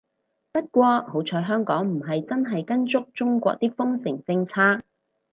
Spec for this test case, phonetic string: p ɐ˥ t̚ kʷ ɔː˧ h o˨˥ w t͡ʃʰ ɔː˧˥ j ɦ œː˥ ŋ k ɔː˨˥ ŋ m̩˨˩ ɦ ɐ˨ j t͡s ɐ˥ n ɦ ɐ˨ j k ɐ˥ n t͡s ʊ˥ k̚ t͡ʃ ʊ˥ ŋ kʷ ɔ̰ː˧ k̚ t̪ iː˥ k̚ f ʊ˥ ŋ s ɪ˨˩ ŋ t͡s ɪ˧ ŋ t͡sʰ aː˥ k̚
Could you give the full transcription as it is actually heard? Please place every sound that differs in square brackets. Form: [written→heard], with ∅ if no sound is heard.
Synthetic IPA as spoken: p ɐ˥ t̚ kʷ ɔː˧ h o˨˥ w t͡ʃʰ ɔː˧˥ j ɦ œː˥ ŋ k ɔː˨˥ ŋ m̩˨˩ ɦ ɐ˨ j t͡s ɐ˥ n ɦ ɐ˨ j k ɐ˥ n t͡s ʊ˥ k̚ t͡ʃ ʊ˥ ŋ kʷ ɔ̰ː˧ k̚ t̪ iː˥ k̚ f ʊ˥ ŋ s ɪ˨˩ ŋ t͡s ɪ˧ ŋ t͡sʰ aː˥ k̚